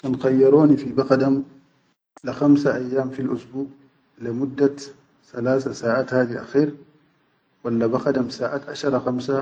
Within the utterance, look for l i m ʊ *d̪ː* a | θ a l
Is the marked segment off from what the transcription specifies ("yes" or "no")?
no